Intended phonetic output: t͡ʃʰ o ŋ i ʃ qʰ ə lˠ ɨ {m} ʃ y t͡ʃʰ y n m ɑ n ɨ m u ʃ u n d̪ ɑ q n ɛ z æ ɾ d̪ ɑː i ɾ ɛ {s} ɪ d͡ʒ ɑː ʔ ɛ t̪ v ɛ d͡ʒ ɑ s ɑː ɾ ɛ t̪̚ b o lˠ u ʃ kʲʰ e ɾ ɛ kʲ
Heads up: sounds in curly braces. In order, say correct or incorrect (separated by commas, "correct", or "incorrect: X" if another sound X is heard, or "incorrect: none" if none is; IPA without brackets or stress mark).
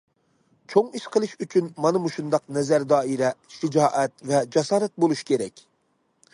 incorrect: none, incorrect: ʃ